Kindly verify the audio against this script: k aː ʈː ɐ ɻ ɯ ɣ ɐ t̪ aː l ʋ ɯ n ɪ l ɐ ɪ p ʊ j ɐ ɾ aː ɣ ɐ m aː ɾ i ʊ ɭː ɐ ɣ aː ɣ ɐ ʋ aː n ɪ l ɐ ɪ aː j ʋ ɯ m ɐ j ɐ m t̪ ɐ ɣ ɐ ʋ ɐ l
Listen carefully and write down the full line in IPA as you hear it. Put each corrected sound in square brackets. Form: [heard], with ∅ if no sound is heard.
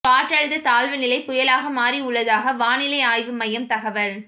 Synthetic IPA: k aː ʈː ɐ ɻ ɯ [ð] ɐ t̪ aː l ʋ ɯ n ɪ l ɐ ɪ p ʊ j ɐ [l] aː ɣ ɐ m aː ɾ i ʊ ɭː ɐ [ð] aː ɣ ɐ ʋ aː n ɪ l ɐ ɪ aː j ʋ ɯ m ɐ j ɐ m t̪ ɐ ɣ ɐ ʋ ɐ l

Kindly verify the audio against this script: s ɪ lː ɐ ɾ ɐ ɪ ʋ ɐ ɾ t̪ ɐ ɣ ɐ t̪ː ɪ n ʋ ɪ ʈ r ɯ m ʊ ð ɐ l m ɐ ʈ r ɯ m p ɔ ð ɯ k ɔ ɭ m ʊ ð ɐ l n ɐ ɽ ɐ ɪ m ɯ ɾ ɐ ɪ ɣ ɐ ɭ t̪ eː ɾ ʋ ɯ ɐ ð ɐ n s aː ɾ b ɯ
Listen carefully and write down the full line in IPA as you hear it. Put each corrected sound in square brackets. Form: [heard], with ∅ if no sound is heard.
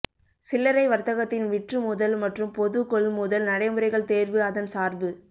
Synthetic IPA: s ɪ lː ɐ ɾ ɐ ɪ ʋ ɐ ɾ t̪ ɐ ɣ ɐ t̪ː ɪ n ʋ ɪ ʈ r ɯ m ʊ ð ɐ l m ɐ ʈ r ɯ m p ɔ ð ɯ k ɔ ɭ m ʊ ð ɐ l n ɐ ɽ ɐ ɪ m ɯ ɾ ɐ ɪ ɣ ɐ ɭ t̪ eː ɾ ʋ ɯ ɐ ð ɐ n s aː ɾ b ɯ

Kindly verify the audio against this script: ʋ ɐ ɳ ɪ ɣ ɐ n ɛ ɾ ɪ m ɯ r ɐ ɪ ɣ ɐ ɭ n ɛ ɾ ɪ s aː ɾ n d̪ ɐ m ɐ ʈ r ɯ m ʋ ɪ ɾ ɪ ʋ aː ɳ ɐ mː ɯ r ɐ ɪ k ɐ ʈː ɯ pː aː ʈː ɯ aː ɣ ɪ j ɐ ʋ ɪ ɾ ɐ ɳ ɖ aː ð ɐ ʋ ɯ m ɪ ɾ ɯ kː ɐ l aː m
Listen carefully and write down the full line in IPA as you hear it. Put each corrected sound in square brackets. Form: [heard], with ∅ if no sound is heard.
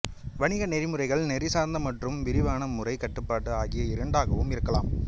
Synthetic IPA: ʋ ɐ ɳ ɪ ɣ ɐ n ɛ ɾ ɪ m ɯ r ɐ ɪ ɣ ɐ ɭ n ɛ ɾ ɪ s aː ɾ n d̪ ɐ m ɐ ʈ r ɯ m ʋ ɪ ɾ ɪ ʋ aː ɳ ɐ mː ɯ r ɐ ɪ k ɐ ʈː ɯ pː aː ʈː ɯ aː ɣ ɪ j ɐ [∅] ɪ ɾ ɐ ɳ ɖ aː [ɣ] ɐ ʋ ɯ m ɪ ɾ ɯ kː ɐ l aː m

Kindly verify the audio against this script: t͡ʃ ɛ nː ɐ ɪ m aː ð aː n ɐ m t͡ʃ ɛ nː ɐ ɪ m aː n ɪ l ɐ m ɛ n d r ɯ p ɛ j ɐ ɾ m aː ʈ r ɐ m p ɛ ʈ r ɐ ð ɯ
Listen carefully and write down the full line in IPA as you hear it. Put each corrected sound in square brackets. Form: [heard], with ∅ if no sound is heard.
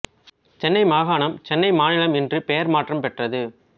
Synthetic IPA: t͡ʃ ɛ nː ɐ ɪ m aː [ɣ] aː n ɐ m t͡ʃ ɛ nː ɐ ɪ m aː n ɪ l ɐ m ɛ n d r ɯ p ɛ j ɐ ɾ m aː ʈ r ɐ m p ɛ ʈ r ɐ ð ɯ

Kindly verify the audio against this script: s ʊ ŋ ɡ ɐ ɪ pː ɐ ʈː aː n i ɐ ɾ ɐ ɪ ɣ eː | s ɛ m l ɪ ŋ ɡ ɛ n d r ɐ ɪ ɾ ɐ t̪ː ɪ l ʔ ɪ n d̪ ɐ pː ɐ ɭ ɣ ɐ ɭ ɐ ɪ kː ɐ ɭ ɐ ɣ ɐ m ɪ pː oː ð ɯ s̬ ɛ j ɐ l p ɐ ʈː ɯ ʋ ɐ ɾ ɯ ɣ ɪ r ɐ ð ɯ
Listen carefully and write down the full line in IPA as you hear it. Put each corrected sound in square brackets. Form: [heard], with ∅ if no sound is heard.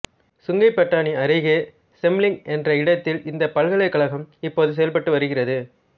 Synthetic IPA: s ʊ ŋ ɡ ɐ ɪ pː ɐ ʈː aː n i ɐ ɾ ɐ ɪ ɣ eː | s ɛ m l ɪ ŋ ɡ ɛ n d r ɐ ɪ [ɽ] ɐ t̪ː ɪ l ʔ ɪ n d̪ ɐ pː ɐ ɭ ɣ ɐ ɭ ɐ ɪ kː ɐ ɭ ɐ ɣ ɐ m ɪ pː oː ð ɯ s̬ ɛ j ɐ l p ɐ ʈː ɯ ʋ ɐ ɾ ɯ ɣ ɪ r ɐ ð ɯ

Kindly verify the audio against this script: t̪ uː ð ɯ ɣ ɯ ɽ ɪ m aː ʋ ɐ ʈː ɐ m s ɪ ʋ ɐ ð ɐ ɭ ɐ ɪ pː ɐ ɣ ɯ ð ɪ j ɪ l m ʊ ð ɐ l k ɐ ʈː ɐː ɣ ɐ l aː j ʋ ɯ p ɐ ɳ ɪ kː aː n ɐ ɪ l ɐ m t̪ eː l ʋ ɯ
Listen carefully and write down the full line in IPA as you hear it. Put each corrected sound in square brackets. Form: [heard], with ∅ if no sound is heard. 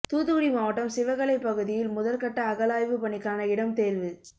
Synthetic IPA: t̪ uː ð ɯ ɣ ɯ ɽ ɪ m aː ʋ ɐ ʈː ɐ m s ɪ ʋ ɐ [ɣ] ɐ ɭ ɐ ɪ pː ɐ ɣ ɯ ð ɪ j ɪ l m ʊ ð ɐ l k ɐ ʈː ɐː ɣ ɐ l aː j ʋ ɯ p ɐ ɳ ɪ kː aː n ɐ ɪ [ɽ] ɐ m t̪ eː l ʋ ɯ

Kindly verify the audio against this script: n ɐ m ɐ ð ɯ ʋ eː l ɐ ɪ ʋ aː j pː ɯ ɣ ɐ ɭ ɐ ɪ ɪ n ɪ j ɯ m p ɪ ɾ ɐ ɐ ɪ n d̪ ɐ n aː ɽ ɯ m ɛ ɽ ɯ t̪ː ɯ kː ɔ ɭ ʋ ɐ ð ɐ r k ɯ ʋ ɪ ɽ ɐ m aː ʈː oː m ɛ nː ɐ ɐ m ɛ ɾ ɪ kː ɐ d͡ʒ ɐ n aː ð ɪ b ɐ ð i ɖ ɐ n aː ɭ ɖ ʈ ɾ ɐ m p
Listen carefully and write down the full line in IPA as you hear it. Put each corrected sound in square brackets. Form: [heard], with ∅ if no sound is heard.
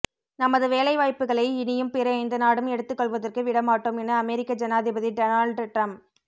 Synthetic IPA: n ɐ m ɐ ð ɯ ʋ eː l ɐ ɪ ʋ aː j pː ɯ ɣ ɐ ɭ ɐ ɪ ɪ n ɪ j ɯ m p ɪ ɾ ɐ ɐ ɪ n d̪ ɐ n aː ɽ ɯ m ɛ ɽ ɯ t̪ː ɯ kː ɔ ɭ ʋ ɐ ð ɐ r k ɯ ʋ ɪ ɽ ɐ m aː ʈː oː m ɛ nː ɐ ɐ m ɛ ɾ ɪ kː ɐ d͡ʒ ɐ n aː ð ɪ b ɐ ð i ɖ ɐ n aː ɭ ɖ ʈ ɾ ɐ m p

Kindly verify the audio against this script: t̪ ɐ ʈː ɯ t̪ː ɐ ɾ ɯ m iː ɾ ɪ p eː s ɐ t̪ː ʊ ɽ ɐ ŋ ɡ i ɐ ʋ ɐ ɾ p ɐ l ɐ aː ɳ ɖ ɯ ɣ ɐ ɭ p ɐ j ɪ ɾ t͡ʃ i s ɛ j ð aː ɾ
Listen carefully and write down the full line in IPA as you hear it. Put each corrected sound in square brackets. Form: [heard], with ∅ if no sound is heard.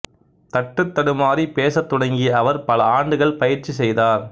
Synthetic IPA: t̪ ɐ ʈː ɯ t̪ː ɐ [ɽ] ɯ m [aː] ɾ [i] p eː s ɐ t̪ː ʊ ɽ ɐ ŋ ɡ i ɐ ʋ ɐ ɾ p ɐ l ɐ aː ɳ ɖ ɯ ɣ ɐ ɭ p ɐ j ɪ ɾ t͡ʃ i s ɛ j ð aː ɾ

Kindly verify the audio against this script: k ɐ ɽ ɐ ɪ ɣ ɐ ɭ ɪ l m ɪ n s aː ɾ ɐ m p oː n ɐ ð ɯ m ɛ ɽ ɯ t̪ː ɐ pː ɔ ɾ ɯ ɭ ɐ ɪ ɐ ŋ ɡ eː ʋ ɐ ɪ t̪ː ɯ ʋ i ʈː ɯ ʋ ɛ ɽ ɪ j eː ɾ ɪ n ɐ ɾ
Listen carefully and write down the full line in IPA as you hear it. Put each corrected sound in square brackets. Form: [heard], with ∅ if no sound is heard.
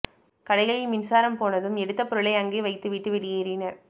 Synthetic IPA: k ɐ ɽ ɐ ɪ ɣ ɐ ɭ ɪ l m ɪ n s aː ɾ ɐ m p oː n ɐ ð ɯ m ɛ ɽ ɯ t̪ː ɐ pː ɔ ɾ ɯ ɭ ɐ ɪ ɐ ŋ ɡ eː ʋ ɐ ɪ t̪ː ɯ ʋ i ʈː ɯ ʋ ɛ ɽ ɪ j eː ɾ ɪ n ɐ ɾ

